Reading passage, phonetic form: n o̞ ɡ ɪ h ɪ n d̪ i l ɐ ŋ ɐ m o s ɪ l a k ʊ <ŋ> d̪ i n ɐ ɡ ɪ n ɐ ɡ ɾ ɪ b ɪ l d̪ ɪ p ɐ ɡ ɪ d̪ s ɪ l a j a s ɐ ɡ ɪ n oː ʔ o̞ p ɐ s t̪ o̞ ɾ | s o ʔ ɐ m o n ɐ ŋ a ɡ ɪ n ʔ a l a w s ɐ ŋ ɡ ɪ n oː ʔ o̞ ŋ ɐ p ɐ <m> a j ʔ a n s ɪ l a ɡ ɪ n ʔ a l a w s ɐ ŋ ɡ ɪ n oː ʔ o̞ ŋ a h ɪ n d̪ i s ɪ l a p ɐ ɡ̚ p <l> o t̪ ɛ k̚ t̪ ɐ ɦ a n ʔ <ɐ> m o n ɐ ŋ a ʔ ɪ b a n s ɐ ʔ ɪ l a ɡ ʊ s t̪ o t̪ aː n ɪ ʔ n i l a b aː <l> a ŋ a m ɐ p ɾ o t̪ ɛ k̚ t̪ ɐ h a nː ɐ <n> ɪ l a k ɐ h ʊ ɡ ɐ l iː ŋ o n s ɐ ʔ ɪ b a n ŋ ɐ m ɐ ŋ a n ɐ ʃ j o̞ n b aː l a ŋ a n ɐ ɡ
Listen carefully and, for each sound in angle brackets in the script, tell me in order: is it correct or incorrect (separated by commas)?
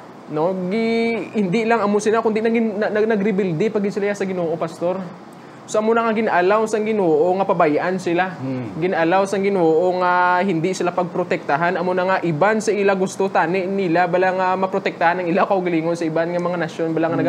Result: incorrect, incorrect, incorrect, correct, correct, incorrect